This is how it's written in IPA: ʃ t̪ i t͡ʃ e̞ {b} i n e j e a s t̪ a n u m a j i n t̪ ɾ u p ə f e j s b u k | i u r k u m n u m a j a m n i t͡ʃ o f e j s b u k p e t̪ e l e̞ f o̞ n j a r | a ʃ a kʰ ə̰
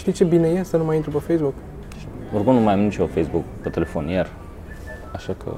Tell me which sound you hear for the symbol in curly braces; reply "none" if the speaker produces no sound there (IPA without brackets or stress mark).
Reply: b